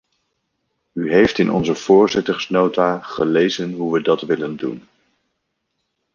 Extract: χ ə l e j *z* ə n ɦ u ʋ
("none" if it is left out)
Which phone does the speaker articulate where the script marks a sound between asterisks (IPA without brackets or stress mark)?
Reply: z